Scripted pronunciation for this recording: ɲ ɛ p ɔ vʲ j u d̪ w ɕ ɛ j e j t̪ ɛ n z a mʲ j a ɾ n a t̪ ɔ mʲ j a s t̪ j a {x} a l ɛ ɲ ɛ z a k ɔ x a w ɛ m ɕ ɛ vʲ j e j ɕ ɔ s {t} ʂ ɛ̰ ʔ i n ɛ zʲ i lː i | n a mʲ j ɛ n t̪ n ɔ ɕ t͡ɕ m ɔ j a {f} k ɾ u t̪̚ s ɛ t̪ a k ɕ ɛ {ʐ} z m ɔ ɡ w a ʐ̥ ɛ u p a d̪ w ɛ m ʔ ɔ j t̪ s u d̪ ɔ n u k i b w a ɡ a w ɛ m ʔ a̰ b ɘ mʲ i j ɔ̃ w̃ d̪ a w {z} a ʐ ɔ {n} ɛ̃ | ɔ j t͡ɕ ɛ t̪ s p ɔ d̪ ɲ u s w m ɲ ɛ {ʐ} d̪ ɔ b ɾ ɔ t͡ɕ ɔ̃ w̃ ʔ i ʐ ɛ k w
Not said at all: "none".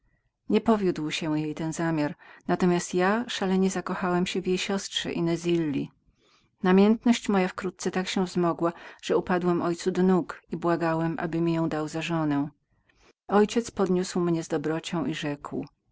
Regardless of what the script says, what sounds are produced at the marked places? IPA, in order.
ʂ, t, f, v, z, n, z

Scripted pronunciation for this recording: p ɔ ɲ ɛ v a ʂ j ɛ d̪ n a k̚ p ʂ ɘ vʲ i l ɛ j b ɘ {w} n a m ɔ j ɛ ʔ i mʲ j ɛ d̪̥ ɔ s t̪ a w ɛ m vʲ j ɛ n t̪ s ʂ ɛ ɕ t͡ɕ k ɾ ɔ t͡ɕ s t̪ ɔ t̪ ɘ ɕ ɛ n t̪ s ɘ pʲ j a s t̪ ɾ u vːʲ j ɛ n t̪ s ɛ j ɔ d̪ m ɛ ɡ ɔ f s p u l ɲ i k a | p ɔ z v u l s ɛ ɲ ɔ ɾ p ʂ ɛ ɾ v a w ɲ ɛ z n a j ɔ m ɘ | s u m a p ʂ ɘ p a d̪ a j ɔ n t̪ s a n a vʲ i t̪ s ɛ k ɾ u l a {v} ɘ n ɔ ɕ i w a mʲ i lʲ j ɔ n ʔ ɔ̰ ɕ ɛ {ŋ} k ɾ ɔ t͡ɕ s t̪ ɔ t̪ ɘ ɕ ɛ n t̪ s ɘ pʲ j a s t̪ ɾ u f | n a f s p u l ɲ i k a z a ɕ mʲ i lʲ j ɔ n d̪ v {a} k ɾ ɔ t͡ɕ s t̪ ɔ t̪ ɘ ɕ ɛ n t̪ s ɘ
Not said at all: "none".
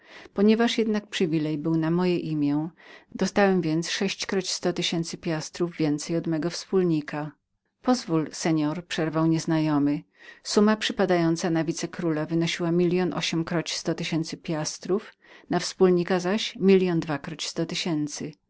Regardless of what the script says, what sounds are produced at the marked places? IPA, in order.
w, v, m, a

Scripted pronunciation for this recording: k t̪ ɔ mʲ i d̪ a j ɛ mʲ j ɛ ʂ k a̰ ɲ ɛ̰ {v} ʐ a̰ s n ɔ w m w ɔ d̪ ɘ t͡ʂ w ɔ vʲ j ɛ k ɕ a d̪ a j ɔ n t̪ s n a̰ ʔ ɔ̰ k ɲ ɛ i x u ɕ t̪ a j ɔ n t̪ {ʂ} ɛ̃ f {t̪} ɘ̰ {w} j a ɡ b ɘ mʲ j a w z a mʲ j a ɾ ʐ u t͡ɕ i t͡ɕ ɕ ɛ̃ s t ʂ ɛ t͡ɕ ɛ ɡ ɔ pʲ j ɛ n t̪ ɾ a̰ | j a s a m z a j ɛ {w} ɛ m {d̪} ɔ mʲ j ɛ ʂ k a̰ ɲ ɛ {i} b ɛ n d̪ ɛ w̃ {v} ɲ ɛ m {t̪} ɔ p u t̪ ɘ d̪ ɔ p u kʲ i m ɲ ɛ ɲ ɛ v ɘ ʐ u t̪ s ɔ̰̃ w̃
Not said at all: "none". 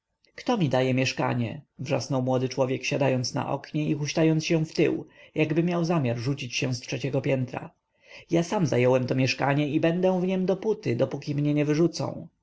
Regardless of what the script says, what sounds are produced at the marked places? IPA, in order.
v, ɕ, t̪, w, w, t̪, i, v, d̪

